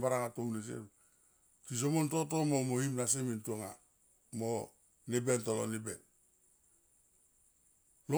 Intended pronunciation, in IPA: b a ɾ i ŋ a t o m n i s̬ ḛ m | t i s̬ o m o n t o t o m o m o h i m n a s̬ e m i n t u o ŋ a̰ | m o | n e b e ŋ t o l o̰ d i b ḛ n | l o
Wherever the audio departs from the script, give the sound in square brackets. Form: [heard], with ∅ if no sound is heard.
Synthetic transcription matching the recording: b a ɾ [a] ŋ a t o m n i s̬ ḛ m | t i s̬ o m o n t o t o m o m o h i m n a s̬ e m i n t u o ŋ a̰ | m o | n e b e [n] t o l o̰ [n] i b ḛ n | l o